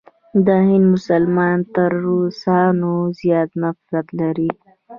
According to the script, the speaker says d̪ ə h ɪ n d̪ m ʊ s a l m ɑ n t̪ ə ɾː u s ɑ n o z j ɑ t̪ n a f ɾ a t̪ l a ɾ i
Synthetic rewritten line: d̪ ə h ɪ n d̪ m ʊ s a l m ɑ n t̪ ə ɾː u s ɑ n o z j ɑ t̪ n a f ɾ a t̪ l a ɾ i